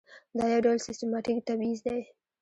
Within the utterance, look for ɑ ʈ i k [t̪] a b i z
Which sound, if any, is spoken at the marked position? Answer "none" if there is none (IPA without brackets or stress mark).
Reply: t̪